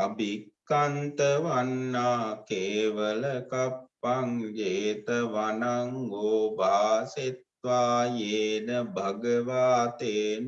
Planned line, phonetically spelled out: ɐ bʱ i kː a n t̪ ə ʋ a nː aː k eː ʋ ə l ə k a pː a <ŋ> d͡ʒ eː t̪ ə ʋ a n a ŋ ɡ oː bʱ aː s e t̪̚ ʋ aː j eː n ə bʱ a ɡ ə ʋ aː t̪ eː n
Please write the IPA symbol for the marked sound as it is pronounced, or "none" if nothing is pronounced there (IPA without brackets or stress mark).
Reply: ŋ